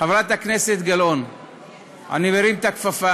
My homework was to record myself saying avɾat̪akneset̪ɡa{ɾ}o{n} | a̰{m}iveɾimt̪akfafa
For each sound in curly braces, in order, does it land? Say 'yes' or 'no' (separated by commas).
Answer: no, yes, no